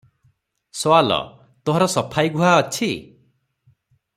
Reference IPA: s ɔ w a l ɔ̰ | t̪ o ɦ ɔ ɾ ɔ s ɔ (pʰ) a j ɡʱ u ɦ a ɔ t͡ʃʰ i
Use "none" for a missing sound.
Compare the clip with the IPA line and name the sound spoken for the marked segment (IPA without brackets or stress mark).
pʰ